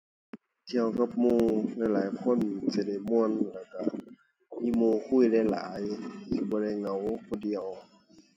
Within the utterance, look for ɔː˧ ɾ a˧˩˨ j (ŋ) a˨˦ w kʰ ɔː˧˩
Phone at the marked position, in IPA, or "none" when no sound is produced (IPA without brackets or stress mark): ŋ